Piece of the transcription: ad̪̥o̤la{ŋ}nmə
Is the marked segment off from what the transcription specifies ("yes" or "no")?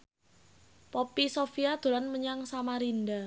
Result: yes